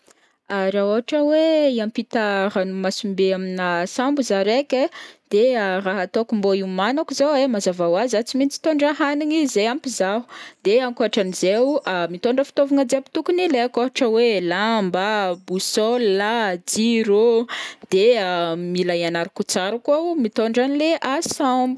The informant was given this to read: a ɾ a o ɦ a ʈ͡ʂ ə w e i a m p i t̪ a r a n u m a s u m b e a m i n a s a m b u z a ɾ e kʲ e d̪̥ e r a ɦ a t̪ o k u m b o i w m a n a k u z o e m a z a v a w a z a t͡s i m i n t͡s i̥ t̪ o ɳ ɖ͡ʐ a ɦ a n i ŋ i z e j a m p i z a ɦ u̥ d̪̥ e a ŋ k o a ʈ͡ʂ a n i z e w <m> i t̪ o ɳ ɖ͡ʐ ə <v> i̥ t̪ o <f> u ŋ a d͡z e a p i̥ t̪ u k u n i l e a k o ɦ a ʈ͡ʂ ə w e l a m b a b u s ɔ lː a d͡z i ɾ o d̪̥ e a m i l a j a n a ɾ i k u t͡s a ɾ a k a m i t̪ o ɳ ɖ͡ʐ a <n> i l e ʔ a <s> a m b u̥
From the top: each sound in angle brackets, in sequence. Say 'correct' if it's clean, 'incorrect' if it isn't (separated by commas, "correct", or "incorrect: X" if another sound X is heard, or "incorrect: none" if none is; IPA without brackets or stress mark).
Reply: correct, incorrect: f, incorrect: v, correct, correct